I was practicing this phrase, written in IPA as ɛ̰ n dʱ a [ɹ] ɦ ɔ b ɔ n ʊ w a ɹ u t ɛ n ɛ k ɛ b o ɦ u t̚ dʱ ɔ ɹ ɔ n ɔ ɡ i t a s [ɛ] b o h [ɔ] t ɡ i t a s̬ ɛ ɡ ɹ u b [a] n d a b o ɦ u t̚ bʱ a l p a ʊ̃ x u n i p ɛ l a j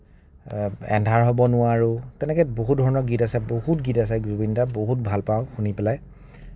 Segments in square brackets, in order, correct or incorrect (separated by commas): correct, correct, incorrect, incorrect